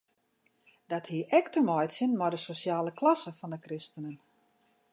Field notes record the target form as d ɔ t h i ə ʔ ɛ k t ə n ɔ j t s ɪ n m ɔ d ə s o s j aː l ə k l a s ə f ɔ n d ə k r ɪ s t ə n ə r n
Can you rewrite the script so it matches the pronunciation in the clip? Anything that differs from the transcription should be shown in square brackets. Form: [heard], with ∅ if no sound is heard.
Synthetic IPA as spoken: d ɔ t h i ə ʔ ɛ k t ə [m] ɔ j t s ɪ n m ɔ d ə s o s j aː l ə k l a s ə f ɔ n d ə k r ɪ s t ə n ə [∅] n